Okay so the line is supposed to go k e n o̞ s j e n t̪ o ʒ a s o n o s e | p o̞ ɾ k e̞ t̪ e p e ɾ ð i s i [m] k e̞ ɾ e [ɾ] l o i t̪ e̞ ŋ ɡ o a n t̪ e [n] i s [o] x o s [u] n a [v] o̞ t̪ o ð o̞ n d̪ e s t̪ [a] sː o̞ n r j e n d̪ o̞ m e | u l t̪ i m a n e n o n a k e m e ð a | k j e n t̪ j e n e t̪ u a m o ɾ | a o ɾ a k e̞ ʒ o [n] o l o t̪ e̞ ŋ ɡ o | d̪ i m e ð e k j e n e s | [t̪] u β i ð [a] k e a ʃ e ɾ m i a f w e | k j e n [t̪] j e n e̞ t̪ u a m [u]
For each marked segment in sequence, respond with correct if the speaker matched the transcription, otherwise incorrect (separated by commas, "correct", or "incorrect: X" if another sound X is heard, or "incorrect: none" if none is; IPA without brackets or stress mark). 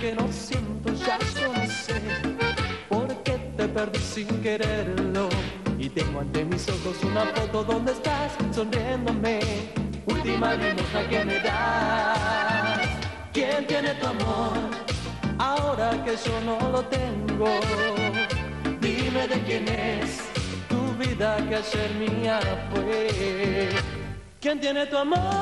incorrect: ŋ, correct, incorrect: m, correct, correct, incorrect: f, correct, correct, correct, correct, correct, incorrect: o